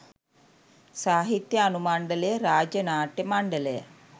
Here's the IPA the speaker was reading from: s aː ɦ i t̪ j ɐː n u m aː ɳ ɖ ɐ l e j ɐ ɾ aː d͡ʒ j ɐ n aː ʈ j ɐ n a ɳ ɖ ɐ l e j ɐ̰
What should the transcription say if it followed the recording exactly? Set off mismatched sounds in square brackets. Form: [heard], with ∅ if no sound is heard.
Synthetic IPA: s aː ɦ i t̪ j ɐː n u m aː ɳ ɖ ɐ l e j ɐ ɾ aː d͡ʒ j ɐ n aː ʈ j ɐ [m] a ɳ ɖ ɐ l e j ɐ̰